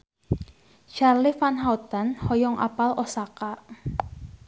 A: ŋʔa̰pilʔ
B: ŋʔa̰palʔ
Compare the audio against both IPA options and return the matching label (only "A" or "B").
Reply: B